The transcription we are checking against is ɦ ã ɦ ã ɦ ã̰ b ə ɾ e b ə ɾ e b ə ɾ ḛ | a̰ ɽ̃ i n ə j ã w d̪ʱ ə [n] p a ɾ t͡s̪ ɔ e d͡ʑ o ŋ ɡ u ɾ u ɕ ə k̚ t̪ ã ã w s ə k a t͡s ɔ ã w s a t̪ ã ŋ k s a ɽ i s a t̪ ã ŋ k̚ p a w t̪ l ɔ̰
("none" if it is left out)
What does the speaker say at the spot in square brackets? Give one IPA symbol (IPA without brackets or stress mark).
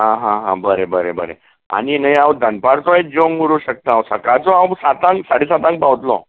n